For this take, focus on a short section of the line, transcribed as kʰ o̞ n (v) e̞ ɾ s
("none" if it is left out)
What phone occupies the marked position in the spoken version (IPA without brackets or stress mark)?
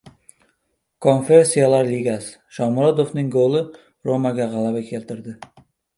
f